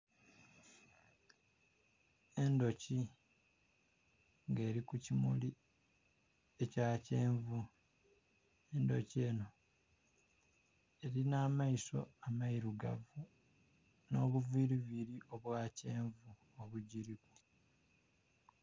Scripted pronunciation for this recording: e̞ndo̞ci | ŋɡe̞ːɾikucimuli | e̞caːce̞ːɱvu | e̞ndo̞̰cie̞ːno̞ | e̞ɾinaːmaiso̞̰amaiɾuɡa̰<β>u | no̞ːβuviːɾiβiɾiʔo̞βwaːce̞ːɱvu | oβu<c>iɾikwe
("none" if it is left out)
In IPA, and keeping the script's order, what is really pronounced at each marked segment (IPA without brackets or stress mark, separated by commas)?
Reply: v, ɟ